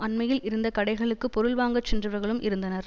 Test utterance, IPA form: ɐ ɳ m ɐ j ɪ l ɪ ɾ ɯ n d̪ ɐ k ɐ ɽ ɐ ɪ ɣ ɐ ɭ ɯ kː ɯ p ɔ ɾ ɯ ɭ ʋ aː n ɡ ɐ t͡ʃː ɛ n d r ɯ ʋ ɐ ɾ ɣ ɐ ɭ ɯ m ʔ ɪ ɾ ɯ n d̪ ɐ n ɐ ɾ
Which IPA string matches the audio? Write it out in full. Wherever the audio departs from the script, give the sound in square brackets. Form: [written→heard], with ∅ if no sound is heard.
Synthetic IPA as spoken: ɐ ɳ m ɐ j ɪ l ɪ ɾ ɯ n d̪ ɐ k ɐ ɽ ɐ ɪ ɣ ɐ ɭ ɯ kː ɯ p ɔ ɾ ɯ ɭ ʋ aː [n→ŋ] ɡ ɐ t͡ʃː ɛ n d r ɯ ʋ ɐ ɾ ɣ ɐ ɭ ɯ m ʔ ɪ ɾ ɯ n d̪ ɐ n ɐ ɾ